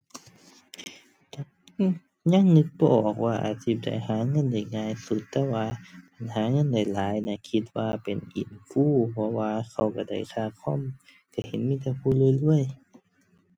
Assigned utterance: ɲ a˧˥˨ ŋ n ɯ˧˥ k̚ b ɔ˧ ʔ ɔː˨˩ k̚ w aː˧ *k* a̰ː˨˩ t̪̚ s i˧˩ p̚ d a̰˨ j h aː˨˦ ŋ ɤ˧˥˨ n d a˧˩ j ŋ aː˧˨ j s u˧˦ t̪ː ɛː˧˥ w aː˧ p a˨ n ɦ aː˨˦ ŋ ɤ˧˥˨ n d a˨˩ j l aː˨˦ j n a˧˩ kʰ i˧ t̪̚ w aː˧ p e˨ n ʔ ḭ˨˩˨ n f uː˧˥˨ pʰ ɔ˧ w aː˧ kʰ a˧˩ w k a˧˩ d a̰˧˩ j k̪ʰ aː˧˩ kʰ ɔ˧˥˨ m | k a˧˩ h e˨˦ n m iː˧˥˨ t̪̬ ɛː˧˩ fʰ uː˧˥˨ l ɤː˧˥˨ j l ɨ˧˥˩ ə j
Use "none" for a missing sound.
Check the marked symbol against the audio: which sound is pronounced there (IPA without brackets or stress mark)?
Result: ʔ